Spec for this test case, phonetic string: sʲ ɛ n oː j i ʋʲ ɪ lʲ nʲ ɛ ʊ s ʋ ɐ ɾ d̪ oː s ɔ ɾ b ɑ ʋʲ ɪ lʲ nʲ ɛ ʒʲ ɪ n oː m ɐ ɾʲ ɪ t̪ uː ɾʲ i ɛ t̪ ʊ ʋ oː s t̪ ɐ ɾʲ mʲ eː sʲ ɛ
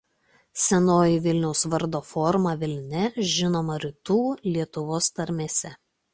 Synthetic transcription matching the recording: sʲ ɛ n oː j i ʋʲ ɪ lʲ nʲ ɛ ʊ s ʋ ɐ ɾ d̪ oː f ɔ ɾ m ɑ ʋʲ ɪ lʲ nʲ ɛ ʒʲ ɪ n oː m ɐ ɾʲ ɪ t̪ uː lʲ i ɛ t̪ ʊ ʋ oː s t̪ ɐ ɾʲ mʲ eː sʲ ɛ